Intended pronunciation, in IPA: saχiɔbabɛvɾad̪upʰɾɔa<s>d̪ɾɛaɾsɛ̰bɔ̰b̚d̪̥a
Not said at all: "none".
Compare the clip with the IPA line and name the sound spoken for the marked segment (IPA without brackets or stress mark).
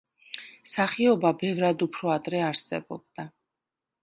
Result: none